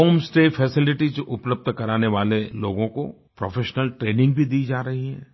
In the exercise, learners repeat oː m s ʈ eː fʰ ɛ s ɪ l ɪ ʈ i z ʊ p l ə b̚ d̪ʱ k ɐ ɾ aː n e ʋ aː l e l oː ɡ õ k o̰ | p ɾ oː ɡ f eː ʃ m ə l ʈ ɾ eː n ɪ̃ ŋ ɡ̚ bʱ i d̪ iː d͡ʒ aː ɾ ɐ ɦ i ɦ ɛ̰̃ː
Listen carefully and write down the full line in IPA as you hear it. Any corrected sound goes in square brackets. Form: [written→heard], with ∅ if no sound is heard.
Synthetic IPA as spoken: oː m s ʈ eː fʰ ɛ s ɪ l ɪ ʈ i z ʊ p l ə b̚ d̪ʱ k ɐ ɾ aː n e ʋ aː l e l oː ɡ õ k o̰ | p ɾ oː [ɡ→∅] f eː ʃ [m→n] ə l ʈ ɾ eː n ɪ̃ ŋ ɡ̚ bʱ i d̪ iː d͡ʒ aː ɾ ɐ ɦ i ɦ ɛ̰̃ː